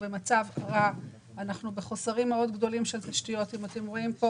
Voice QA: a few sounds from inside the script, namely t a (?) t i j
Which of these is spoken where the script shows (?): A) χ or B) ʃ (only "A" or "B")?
B